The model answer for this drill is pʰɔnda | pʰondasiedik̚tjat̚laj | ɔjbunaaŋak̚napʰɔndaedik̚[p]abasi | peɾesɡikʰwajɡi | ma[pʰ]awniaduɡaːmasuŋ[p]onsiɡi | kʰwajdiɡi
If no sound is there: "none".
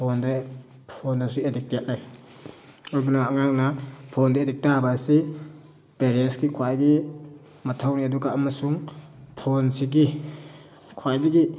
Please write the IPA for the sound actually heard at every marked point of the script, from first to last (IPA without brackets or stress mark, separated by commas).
t, tʰ, pʰ